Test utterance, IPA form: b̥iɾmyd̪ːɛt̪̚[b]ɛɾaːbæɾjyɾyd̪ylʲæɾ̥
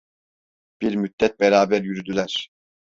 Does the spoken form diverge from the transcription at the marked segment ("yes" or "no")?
no